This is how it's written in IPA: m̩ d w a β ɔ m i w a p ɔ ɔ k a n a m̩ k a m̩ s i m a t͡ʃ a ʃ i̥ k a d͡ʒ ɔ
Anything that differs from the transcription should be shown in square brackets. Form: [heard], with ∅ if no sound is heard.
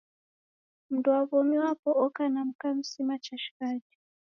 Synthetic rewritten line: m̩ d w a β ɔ m i w a p ɔ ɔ k a n a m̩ k a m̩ s i m a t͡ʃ a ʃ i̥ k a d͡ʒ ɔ